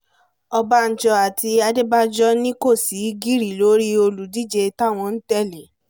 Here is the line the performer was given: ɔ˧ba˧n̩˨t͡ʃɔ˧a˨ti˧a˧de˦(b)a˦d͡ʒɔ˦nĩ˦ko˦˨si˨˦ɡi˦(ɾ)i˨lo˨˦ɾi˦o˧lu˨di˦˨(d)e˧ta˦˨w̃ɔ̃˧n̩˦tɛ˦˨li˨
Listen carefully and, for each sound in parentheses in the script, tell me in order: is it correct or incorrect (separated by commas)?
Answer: correct, correct, incorrect